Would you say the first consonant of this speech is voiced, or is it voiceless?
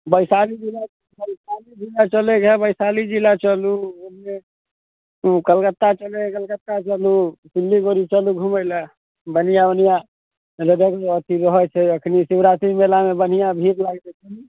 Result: voiced